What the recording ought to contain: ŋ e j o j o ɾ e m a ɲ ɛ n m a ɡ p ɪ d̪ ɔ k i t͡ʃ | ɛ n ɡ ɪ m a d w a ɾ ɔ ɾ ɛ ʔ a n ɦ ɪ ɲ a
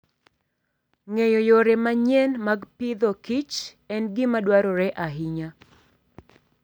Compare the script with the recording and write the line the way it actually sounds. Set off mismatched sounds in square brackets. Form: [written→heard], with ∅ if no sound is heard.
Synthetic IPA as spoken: ŋ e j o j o ɾ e m a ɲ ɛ n m a ɡ p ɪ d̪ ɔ k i t͡ʃ | ɛ n ɡ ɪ m a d w a ɾ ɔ ɾ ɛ ʔ a [n→∅] ɦ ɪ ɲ a